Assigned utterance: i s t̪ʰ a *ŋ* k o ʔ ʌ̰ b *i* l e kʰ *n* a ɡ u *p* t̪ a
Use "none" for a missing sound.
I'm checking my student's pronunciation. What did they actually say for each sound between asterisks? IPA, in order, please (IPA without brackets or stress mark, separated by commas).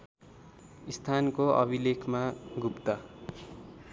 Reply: n, i, m, p